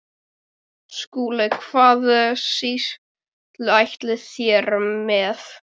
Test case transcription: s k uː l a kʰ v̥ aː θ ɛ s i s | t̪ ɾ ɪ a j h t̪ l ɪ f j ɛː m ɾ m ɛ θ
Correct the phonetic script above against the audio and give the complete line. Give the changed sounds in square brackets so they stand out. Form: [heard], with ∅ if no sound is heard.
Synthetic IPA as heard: s k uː l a kʰ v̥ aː [ð] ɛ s i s | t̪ [l] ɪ a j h t̪ l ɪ [θ] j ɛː [∅] ɾ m ɛ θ